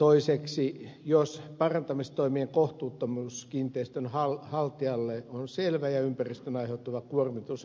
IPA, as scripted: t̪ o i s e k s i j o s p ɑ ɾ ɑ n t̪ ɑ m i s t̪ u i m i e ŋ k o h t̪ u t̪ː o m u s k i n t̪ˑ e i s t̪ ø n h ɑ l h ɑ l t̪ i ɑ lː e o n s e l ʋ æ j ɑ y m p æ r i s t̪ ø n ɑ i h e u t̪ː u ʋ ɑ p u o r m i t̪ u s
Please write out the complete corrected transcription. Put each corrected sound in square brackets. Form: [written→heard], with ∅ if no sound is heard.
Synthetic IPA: t̪ o i s e k s i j o s p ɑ [ɾ→r] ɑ n t̪ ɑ m i s t̪ [u→o] i m i e ŋ k o h t̪ [u→uː] t̪ː o m u s k i n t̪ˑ e i s t̪ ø n h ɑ l h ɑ l t̪ i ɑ lː e o n s e l ʋ æ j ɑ y m p æ r i s t̪ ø n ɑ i h e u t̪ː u ʋ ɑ [p→k] u o r m i t̪ u s